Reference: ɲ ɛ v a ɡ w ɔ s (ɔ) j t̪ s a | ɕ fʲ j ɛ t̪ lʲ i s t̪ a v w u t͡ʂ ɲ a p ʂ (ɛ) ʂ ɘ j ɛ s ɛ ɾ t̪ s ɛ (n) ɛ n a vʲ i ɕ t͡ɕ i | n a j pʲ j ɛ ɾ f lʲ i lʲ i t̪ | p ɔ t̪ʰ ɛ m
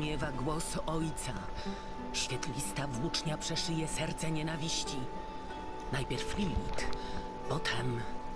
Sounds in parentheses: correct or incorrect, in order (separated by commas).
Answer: correct, correct, incorrect